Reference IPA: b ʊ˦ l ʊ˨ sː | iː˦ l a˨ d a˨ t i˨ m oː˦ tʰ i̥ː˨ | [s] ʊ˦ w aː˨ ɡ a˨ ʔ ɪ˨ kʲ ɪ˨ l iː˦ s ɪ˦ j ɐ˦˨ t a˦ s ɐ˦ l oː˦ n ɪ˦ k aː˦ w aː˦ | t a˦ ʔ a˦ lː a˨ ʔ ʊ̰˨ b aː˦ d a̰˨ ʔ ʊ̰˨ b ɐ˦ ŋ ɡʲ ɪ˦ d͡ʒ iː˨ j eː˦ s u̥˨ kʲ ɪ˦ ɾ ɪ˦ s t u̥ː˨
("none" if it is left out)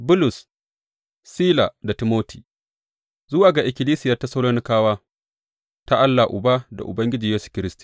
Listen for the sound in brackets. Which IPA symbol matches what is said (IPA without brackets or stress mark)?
z